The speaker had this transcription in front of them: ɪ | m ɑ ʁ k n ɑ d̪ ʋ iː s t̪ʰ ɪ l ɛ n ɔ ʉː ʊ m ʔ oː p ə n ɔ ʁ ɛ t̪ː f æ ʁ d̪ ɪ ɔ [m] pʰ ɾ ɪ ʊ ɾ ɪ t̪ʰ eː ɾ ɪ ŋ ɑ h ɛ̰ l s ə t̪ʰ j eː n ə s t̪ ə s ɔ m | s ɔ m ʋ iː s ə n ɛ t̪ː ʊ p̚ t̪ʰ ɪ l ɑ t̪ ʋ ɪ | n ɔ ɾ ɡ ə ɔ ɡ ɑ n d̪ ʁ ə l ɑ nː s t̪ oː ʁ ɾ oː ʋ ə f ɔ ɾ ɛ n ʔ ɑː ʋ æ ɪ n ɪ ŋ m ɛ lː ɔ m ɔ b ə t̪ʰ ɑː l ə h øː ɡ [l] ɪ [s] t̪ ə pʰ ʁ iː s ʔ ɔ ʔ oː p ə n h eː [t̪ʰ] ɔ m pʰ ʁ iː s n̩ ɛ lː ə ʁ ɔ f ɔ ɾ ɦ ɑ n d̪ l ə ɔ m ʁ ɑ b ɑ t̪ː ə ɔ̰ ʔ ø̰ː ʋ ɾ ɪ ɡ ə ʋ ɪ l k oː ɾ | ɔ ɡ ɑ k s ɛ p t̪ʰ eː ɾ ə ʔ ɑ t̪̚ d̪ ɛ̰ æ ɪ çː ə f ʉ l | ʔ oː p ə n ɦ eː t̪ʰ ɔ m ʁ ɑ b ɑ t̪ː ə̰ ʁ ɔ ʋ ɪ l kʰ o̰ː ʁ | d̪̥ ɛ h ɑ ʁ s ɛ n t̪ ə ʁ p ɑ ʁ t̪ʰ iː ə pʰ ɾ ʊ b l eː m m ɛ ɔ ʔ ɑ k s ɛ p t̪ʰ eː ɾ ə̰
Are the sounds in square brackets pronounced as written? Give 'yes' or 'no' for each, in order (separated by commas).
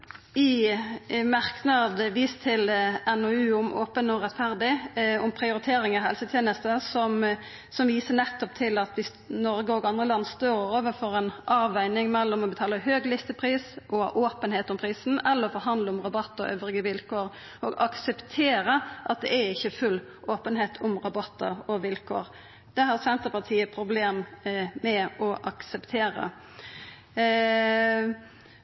yes, yes, yes, no